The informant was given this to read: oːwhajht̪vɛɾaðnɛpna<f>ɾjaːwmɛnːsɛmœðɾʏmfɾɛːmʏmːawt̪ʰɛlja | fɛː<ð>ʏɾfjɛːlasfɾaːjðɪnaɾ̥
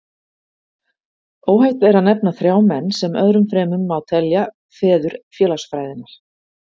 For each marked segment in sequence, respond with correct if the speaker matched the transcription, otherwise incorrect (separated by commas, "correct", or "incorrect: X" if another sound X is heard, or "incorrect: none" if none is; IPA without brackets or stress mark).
incorrect: θ, correct